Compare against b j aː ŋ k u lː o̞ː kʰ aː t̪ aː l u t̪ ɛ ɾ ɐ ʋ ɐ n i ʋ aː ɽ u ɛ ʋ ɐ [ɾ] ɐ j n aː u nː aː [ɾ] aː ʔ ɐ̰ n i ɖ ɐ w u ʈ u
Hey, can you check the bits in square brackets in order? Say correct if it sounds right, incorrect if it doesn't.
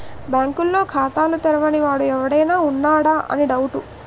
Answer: incorrect, incorrect

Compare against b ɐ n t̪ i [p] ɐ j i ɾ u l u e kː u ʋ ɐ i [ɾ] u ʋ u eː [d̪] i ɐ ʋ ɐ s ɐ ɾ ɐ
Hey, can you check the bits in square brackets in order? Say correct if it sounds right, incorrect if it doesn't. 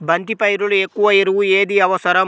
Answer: correct, correct, correct

